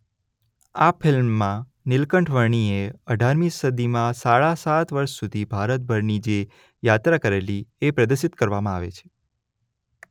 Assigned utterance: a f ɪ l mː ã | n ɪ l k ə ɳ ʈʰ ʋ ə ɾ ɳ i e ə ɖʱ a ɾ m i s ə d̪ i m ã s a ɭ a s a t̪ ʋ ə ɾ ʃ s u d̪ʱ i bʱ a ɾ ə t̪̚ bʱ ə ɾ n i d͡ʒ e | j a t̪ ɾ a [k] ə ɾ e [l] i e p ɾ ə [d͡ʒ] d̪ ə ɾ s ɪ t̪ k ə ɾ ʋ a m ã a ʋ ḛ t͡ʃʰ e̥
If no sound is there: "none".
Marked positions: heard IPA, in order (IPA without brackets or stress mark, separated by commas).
k, l, none